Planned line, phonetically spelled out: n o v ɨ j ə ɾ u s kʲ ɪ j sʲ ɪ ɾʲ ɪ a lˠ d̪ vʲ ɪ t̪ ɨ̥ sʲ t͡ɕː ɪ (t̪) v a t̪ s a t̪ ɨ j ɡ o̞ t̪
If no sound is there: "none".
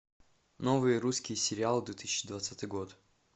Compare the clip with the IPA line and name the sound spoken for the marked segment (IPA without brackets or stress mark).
d̪